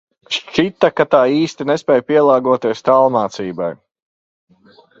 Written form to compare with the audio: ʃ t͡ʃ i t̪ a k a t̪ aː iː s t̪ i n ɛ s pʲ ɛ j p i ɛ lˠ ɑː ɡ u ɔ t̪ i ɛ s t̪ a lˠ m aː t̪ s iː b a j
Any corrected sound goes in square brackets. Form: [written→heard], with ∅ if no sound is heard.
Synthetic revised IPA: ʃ t͡ʃ i t̪ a k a t̪ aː iː s t̪ i n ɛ s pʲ ɛ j p i ɛ lˠ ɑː ɡ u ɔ t̪ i ɛ s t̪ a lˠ m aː t̪ s iː b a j